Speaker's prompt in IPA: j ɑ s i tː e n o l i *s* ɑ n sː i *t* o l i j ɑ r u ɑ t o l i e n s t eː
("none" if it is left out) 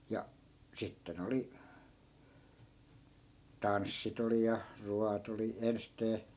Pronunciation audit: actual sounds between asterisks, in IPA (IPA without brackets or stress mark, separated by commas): t, t